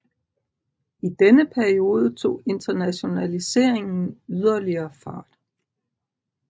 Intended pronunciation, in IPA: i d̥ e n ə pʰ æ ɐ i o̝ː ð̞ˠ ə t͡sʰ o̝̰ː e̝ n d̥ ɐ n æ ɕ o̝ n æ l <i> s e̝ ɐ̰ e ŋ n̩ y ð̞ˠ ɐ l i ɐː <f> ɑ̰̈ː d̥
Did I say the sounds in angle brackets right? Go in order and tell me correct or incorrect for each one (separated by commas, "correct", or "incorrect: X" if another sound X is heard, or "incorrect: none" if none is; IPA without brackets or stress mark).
correct, correct